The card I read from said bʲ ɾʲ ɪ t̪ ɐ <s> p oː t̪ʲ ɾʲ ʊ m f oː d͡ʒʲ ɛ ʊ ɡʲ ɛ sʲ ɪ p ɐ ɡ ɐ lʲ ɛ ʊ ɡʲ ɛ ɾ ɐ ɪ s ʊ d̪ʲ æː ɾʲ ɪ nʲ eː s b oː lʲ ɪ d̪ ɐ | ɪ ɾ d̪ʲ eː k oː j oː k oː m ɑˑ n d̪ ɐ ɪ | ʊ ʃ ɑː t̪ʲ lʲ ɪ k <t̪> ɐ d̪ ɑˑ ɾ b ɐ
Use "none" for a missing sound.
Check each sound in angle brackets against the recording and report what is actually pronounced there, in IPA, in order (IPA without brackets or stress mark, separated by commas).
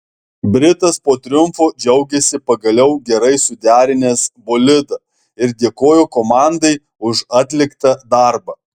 s, t̪